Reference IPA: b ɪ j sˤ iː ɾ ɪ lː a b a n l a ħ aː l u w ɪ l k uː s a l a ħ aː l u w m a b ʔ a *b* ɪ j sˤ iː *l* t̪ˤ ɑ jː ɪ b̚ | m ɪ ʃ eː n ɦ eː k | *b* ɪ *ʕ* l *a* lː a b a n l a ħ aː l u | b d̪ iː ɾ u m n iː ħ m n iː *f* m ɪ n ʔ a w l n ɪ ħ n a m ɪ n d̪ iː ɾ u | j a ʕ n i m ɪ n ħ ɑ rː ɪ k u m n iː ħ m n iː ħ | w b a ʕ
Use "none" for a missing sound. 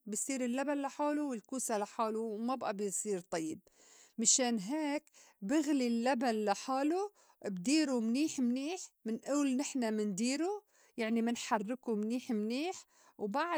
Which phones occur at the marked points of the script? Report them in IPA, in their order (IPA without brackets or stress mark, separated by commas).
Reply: b, ɾ, b, ɣ, i, ħ